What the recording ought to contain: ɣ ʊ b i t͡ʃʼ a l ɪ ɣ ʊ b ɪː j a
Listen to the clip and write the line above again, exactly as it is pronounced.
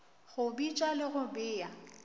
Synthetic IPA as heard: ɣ ʊ b i t͡ʃʼ a l ɪ ɣ ʊ b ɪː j a